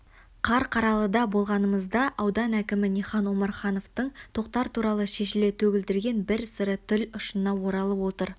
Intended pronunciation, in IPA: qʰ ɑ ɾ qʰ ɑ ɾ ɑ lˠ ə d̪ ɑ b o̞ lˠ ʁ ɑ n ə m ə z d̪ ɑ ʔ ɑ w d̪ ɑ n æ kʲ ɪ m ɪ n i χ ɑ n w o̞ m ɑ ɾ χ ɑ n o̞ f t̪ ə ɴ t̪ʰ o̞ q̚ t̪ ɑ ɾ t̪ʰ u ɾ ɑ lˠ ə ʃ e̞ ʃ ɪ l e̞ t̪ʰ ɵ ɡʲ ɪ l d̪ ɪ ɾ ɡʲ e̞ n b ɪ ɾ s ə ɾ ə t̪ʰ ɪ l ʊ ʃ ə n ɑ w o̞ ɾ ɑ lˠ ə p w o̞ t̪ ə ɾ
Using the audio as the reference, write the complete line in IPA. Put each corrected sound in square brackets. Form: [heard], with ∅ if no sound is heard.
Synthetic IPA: qʰ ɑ ɾ qʰ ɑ ɾ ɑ lˠ ə d̪ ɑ b o̞ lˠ ʁ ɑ n ə m ə z d̪ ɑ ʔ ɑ w d̪ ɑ n æ kʲ ɪ m ɪ n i χ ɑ n w o̞ m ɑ ɾ χ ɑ n o̞ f t̪ ə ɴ t̪ʰ o̞ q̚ t̪ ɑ ɾ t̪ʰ u ɾ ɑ lˠ ə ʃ e̞ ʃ ɪ l e̞ t̪ʰ ɵ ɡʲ ɪ l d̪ ɪ ɾ ɡʲ e̞ n b ɪ ɾ s ə ɾ ə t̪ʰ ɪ l ʊ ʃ ə n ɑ w o̞ ɾ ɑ lˠ ə p w o̞ t̪ ə ɾ

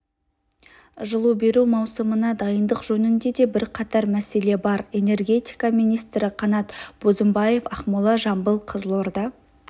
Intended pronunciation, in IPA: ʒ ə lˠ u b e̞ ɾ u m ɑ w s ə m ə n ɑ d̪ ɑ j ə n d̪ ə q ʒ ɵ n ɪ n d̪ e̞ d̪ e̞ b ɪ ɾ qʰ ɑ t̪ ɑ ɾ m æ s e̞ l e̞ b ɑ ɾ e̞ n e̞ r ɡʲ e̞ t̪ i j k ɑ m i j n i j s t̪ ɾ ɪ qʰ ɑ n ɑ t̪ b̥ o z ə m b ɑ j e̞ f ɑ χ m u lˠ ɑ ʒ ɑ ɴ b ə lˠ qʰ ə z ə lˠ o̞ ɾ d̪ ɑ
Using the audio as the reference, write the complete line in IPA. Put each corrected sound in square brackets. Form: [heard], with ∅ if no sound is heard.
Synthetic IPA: ʒ ə lˠ u b e̞ ɾ u m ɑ w s ə m ə n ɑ d̪ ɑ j ə n d̪ ə q ʒ ɵ n ɪ n d̪ e̞ d̪ e̞ b ɪ ɾ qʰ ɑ t̪ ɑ ɾ m æ s e̞ l e̞ b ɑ ɾ e̞ n e̞ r ɡʲ e̞ t̪ i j k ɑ m i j n i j s t̪ ɾ ɪ qʰ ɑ n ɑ t̪ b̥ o z ə m b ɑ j e̞ f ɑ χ m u lˠ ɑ ʒ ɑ [m] b ə lˠ qʰ ə z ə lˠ o̞ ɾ d̪ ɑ

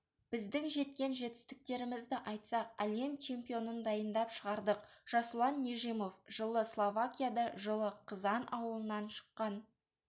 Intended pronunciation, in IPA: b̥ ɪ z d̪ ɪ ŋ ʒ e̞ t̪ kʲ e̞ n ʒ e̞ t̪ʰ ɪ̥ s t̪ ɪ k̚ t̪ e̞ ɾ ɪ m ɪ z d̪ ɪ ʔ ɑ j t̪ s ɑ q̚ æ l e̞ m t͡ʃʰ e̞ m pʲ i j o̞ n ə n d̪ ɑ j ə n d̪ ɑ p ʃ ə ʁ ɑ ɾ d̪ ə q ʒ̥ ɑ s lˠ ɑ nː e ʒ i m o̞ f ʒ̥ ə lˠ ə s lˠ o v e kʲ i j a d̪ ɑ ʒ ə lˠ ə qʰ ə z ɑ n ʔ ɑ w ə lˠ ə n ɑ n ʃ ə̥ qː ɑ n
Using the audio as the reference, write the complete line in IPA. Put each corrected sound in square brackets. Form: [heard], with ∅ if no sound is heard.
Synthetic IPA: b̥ ɪ z d̪ ɪ ŋ ʒ e̞ t̪ kʲ e̞ n ʒ e̞ [t̪] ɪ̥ s t̪ ɪ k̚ t̪ e̞ ɾ ɪ m ɪ z d̪ ɪ ʔ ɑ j t̪ s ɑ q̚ æ l e̞ m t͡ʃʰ e̞ m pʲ i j o̞ n ə n d̪ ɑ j ə n d̪ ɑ p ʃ ə ʁ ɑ ɾ d̪ ə q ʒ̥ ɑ s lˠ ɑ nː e ʒ i m o̞ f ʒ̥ ə lˠ ə s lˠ o v [a] kʲ i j a d̪ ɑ ʒ ə lˠ ə qʰ ə z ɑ n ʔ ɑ w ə lˠ ə n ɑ n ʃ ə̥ qː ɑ n

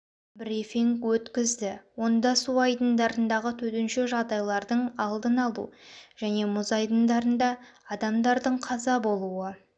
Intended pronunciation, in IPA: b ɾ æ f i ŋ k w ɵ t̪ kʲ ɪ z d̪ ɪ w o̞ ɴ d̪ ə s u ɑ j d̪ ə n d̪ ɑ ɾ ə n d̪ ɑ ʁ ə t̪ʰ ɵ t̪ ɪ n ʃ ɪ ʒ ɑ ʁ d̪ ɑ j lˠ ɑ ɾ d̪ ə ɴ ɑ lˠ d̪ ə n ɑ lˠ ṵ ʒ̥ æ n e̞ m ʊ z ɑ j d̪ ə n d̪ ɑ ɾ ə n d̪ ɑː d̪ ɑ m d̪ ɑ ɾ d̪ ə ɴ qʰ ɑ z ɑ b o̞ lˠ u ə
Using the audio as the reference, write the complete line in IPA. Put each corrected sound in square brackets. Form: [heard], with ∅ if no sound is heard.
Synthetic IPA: b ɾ [i] f i ŋ k w ɵ t̪ kʲ ɪ z d̪ ɪ w o̞ [n] d̪ [ɑ] s u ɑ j d̪ ə n d̪ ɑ ɾ ə n d̪ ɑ ʁ ə t̪ʰ ɵ t̪ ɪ n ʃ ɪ ʒ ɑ ʁ d̪ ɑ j lˠ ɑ ɾ d̪ ə ɴ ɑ lˠ d̪ ə n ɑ lˠ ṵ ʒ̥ æ n e̞ m ʊ z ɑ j d̪ ə n d̪ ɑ ɾ ə n d̪ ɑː d̪ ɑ m d̪ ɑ ɾ d̪ ə ɴ qʰ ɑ z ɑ b o̞ lˠ u ə

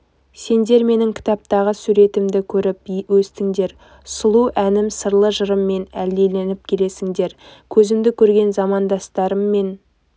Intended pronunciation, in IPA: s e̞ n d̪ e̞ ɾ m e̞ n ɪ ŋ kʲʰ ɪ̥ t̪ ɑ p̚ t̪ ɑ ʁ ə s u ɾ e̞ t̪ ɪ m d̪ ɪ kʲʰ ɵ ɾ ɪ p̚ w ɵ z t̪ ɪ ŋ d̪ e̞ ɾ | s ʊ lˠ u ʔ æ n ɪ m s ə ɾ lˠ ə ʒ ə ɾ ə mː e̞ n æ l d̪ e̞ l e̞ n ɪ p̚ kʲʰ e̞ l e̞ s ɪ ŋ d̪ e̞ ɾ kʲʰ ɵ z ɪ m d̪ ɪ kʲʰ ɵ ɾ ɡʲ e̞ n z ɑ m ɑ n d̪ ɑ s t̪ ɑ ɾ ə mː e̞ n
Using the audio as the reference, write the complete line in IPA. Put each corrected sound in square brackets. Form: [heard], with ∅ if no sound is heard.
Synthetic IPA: s e̞ n d̪ e̞ ɾ m e̞ n ɪ ŋ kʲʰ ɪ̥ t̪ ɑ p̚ t̪ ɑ ʁ ə s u ɾ e̞ t̪ ɪ m d̪ ɪ kʲʰ ɵ ɾ ɪ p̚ w ɵ [s] t̪ ɪ ŋ d̪ e̞ ɾ | s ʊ lˠ u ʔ æ n ɪ m s ə ɾ lˠ ə ʒ ə ɾ ə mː e̞ n æ l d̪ e̞ l e̞ n ɪ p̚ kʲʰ e̞ l e̞ s ɪ ŋ d̪ e̞ ɾ kʲʰ ɵ z ɪ m d̪ ɪ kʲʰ ɵ ɾ ɡʲ e̞ n z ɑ m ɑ n d̪ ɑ s t̪ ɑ ɾ ə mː e̞ n

